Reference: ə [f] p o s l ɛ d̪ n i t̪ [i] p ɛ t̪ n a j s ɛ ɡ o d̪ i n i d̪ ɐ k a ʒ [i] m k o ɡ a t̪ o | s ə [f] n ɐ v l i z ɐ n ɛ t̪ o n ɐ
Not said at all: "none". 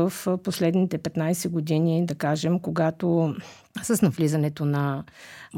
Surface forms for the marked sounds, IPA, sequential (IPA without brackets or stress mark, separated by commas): f, ɛ, ɛ, s